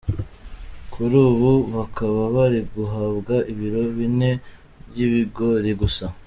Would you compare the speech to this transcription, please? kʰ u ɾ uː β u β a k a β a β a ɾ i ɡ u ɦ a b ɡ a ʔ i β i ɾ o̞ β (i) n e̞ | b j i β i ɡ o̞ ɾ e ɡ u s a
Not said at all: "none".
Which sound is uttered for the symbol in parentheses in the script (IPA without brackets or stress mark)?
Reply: i